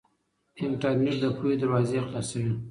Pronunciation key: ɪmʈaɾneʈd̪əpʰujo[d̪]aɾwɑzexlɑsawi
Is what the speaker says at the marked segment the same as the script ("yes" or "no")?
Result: yes